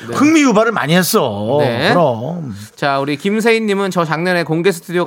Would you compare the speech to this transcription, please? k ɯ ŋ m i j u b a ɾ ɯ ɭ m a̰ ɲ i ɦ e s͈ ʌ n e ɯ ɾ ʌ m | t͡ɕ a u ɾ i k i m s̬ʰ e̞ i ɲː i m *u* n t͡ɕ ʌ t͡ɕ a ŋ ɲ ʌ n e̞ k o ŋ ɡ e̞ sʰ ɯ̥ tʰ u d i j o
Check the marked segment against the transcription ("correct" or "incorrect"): incorrect